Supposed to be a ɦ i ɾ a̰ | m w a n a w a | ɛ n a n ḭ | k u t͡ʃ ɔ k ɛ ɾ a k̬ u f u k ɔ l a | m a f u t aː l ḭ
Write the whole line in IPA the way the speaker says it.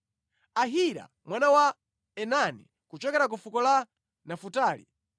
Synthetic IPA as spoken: a ɦ i ɾ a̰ | m w a n a w a | ɛ n a n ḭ | k u t͡ʃ ɔ k ɛ ɾ a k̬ u f u k ɔ l a | n a f u t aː l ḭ